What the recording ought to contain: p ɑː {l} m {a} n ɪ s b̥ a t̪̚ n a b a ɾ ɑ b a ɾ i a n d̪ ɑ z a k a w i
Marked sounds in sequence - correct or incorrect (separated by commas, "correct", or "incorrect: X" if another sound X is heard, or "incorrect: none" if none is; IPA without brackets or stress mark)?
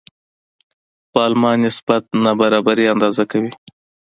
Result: correct, incorrect: ɑ